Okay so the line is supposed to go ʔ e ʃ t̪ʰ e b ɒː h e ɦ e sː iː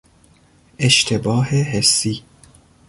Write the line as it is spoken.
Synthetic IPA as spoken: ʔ e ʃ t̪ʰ e b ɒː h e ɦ e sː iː